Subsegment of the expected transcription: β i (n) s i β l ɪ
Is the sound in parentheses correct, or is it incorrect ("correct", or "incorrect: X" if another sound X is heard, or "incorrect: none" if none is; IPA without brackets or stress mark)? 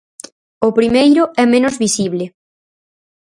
incorrect: none